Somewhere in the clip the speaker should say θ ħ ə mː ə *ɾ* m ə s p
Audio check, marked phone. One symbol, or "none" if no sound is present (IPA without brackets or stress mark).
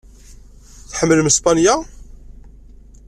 l